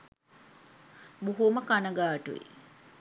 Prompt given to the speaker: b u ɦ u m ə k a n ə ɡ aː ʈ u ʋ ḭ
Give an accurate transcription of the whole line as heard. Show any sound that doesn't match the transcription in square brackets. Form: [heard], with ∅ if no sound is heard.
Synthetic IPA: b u ɦ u m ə k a n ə ɡ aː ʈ u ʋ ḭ